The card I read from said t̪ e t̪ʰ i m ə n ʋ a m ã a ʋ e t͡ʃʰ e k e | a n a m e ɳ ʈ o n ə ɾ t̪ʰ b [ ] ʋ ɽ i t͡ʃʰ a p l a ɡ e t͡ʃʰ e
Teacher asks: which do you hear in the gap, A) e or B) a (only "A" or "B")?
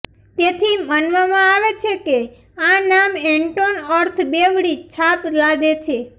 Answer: A